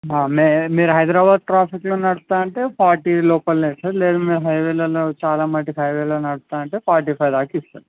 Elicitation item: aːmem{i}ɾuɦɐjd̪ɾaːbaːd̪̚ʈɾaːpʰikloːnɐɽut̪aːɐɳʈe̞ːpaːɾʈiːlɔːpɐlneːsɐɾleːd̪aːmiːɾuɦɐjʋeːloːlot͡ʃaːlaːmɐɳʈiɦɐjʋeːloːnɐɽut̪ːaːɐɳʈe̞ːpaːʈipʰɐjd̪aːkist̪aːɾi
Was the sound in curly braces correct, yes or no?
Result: no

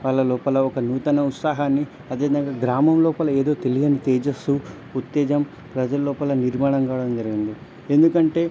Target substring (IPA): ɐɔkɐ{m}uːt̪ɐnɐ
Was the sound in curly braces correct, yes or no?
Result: no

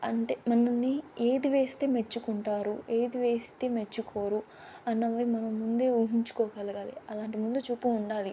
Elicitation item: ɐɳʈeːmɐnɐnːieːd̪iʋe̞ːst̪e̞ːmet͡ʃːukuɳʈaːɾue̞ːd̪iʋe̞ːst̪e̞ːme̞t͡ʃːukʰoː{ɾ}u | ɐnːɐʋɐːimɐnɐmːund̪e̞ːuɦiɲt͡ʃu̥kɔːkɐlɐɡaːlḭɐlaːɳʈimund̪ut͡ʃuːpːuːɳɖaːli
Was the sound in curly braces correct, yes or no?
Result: yes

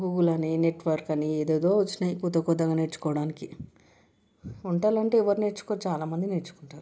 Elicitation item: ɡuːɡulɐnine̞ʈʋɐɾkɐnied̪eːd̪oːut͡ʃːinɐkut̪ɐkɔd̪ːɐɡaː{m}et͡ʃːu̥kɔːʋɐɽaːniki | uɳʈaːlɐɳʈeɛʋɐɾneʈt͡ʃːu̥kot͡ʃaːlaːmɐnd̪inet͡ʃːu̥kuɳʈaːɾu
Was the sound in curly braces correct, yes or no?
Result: no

